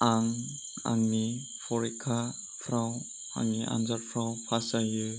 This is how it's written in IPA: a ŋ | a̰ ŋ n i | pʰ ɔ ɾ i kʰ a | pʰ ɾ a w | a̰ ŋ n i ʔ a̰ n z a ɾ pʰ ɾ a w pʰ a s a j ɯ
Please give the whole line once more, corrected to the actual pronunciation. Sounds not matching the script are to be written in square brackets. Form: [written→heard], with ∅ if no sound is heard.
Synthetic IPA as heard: a ŋ | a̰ ŋ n i | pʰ ɔ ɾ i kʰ a | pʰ ɾ a w | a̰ ŋ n i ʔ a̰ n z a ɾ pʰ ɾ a w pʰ a s a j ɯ